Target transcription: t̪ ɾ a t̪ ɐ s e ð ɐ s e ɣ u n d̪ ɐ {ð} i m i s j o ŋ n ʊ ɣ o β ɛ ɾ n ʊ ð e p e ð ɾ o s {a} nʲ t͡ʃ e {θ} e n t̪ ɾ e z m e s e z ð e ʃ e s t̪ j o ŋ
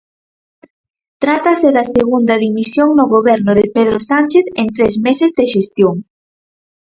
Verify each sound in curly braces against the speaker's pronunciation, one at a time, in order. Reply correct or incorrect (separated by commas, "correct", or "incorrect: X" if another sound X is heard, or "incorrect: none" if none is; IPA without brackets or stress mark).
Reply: correct, correct, correct